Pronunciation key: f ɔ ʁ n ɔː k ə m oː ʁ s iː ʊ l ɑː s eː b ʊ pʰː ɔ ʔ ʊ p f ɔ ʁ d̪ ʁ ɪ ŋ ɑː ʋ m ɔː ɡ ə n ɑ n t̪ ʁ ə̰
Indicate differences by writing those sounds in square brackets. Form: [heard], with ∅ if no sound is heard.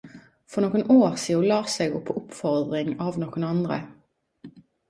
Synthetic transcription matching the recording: f ɔ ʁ n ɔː k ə [n] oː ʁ s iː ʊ l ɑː s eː [ɡ] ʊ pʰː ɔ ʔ ʊ p f ɔ ʁ d̪ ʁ ɪ ŋ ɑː ʋ [n] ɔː [k] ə n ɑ n [d̪] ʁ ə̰